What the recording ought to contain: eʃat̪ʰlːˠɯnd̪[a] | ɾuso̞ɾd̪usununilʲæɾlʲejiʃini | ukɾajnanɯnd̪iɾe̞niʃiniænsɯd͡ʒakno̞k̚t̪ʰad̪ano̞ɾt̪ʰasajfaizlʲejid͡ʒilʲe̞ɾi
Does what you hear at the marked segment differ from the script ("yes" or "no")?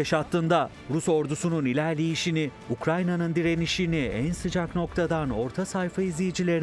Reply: no